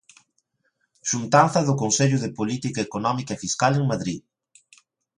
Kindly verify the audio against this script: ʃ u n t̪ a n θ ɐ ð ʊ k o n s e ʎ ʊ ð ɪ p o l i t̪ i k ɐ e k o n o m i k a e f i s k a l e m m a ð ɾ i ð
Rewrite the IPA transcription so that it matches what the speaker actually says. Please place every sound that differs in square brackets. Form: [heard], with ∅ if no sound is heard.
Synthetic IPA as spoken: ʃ u n t̪ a n θ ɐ ð ʊ k o n s e ʎ ʊ ð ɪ p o l i t̪ i k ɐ e k o n [ɔ] m i k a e f i s k a l e [ŋ] m a ð ɾ i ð